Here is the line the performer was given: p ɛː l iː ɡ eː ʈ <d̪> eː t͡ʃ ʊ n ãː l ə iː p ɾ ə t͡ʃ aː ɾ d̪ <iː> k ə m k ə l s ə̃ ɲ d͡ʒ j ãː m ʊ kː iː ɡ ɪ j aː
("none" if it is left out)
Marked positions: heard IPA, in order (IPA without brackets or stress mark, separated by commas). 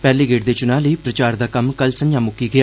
d̪, aː